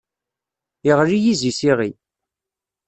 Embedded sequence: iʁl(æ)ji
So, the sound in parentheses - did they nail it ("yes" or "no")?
no